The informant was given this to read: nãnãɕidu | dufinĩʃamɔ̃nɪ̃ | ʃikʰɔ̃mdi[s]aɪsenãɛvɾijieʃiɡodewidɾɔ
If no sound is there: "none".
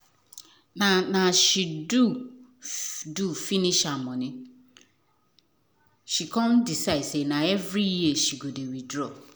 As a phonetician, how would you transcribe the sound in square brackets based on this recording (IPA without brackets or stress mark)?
s